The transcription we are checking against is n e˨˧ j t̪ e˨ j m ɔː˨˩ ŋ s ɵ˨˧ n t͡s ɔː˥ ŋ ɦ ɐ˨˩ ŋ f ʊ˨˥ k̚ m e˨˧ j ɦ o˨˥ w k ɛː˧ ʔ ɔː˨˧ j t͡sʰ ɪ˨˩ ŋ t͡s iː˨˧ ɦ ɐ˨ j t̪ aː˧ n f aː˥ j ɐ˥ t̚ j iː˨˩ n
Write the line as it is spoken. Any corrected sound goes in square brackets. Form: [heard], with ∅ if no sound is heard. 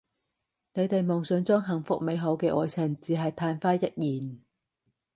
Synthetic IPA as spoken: n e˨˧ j t̪ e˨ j m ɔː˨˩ ŋ s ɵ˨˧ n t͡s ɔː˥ ŋ ɦ ɐ˨˩ ŋ f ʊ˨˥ k̚ m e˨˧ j ɦ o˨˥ w k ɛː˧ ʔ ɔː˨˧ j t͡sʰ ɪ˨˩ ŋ t͡s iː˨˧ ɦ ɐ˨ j [t̪ʰ] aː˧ n f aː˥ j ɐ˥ t̚ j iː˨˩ n